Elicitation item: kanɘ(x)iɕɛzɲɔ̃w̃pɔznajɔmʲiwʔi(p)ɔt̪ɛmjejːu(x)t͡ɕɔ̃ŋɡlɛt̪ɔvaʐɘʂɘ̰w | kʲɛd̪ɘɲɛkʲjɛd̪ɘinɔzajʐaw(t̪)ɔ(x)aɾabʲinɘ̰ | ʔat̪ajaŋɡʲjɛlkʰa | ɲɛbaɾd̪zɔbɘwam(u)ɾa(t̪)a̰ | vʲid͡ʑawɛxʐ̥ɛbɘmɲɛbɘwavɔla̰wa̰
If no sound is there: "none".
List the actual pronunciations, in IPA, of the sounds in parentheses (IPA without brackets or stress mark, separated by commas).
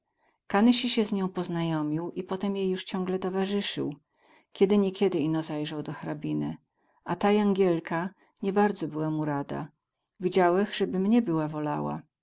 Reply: ɕ, p, ʂ, d̪, x, u, d̪